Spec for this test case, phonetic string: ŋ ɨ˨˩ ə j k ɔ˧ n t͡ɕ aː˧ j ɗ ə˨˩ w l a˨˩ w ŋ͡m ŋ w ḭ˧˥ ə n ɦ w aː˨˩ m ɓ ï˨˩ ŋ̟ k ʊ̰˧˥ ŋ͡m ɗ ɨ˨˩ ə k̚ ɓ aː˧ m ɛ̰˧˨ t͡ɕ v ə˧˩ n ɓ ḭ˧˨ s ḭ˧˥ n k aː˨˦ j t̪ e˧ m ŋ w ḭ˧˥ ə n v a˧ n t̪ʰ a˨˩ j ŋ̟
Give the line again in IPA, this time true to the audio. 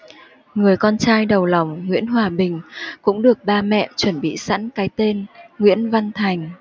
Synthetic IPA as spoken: ŋ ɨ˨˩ ə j k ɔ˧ n t͡ɕ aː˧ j ɗ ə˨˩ w l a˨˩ w ŋ͡m ŋ w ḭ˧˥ ə n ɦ w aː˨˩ ɓ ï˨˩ ŋ̟ k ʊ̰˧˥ ŋ͡m ɗ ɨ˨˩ ə k̚ ɓ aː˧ m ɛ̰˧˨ t͡ɕ w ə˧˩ n ɓ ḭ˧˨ s a̰˧˥ n k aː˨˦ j t̪ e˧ n ŋ w ḭ˧˥ ə n v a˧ n t̪ʰ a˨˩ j ŋ̟